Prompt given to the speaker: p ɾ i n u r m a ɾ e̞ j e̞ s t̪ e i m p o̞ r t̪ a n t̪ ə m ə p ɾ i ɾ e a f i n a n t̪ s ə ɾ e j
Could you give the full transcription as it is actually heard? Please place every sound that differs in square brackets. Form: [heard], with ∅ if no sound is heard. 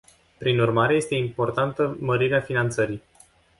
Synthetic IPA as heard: p ɾ i n u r m a ɾ e̞ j e̞ s t̪ e i m p o̞ r t̪ a n t̪ ə m ə [∅] ɾ i ɾ e a f i n a n t̪ s ə ɾ [i] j